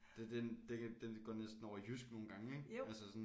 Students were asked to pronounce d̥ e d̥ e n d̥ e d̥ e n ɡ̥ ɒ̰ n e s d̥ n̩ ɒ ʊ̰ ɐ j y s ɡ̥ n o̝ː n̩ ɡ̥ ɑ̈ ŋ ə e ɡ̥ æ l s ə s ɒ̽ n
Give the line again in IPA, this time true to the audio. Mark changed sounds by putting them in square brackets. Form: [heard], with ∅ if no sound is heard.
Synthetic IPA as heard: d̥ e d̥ e n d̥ e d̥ e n ɡ̥ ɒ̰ n e s d̥ n̩ ɒ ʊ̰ ɐ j y s ɡ̥ n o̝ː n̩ ɡ̥ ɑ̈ ŋ ə e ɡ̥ æ l s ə s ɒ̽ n